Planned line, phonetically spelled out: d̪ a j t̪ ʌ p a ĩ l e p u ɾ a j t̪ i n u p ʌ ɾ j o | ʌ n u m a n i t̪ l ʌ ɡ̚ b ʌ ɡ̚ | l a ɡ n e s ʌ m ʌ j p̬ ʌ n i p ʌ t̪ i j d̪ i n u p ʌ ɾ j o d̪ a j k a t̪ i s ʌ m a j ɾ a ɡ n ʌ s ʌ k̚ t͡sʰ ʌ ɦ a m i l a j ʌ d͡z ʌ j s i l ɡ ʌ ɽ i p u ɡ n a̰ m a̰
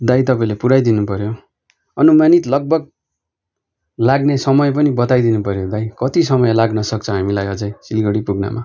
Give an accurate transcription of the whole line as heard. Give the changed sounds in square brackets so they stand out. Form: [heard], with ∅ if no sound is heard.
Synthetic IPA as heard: d̪ a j t̪ ʌ p a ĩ l e p u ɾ a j [d̪] i n u p ʌ ɾ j o | ʌ n u m a n i t̪ l ʌ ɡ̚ b ʌ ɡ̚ | l a ɡ n e s ʌ m ʌ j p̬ ʌ n i [b] ʌ t̪ [a] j d̪ i n u p ʌ ɾ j o d̪ a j k [ʌ] t̪ i s ʌ m [ʌ] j [l] a ɡ n ʌ s ʌ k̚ t͡sʰ ʌ ɦ a m i l a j ʌ d͡z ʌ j s i l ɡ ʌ ɽ i p u ɡ n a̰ m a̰